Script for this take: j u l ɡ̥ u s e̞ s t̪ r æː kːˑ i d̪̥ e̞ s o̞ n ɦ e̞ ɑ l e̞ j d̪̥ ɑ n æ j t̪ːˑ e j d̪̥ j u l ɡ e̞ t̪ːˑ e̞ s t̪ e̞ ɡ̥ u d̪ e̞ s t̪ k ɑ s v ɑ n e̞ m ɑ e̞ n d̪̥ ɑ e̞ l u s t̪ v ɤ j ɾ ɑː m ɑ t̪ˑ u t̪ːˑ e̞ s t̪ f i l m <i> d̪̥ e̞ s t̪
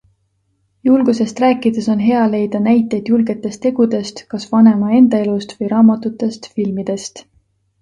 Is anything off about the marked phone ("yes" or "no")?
no